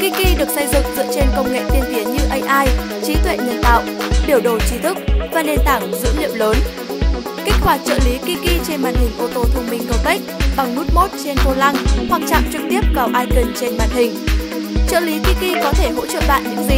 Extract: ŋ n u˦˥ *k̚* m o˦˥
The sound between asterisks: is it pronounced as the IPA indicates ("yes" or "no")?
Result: no